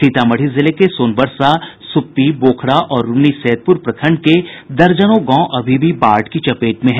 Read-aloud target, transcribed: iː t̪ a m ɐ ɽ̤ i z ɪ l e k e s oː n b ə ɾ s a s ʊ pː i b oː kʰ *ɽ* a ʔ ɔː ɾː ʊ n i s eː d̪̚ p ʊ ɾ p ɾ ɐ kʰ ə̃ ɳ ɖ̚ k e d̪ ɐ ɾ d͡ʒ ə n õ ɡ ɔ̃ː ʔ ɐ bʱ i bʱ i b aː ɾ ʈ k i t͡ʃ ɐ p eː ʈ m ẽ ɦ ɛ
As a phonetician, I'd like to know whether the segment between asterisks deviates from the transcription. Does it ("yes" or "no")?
no